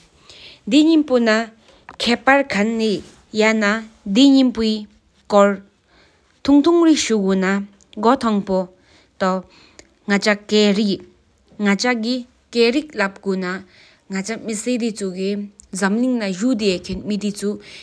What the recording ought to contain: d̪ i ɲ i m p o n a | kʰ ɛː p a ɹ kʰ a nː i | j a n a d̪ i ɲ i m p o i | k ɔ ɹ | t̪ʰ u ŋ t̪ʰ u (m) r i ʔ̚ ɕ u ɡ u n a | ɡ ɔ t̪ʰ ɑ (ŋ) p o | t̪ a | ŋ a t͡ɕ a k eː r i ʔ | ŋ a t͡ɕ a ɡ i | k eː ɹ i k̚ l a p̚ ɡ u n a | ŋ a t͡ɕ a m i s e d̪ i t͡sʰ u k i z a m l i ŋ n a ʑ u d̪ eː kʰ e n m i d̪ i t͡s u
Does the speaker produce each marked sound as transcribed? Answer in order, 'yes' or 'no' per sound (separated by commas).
no, yes